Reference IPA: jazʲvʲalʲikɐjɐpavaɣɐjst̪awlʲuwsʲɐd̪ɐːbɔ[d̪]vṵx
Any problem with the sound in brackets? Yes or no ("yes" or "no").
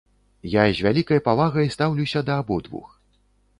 no